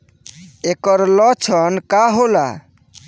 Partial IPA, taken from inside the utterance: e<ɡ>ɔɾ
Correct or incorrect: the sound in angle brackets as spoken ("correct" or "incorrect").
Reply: incorrect